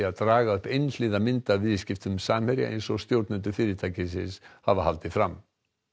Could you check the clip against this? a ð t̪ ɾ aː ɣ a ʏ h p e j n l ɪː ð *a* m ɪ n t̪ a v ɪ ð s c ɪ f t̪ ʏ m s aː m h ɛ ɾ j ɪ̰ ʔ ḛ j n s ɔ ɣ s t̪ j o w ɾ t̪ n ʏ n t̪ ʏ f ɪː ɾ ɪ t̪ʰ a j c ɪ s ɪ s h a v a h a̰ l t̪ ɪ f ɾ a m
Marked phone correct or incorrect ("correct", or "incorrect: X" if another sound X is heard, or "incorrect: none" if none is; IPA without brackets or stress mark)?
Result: correct